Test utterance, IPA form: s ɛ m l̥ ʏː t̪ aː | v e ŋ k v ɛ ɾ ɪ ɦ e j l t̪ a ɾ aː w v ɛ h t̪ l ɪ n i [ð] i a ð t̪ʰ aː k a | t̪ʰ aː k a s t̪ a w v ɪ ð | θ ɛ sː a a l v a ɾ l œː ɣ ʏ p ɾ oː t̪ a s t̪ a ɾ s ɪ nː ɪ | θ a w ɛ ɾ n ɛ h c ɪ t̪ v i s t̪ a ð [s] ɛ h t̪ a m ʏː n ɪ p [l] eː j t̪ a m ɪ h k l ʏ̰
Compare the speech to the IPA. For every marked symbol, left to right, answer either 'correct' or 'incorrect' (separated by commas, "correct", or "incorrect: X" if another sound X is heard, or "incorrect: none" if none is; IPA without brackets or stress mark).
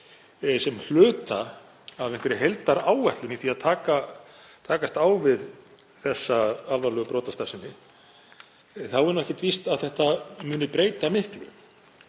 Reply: incorrect: θ, incorrect: θ, incorrect: ɾ